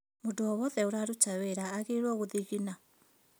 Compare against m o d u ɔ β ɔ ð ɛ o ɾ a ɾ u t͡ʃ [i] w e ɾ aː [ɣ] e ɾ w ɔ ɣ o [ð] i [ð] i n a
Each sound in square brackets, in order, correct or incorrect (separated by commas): incorrect, correct, correct, incorrect